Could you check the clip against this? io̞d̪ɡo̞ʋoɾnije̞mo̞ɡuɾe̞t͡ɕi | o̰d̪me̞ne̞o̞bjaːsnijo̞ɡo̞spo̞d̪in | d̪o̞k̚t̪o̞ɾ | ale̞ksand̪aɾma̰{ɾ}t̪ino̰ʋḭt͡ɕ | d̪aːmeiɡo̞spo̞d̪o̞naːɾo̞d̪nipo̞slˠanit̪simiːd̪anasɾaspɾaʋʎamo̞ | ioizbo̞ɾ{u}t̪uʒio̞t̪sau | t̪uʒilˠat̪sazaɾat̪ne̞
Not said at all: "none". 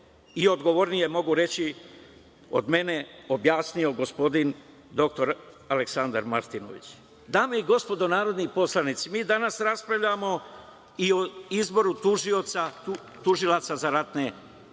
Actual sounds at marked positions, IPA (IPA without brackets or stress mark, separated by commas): ɾ, u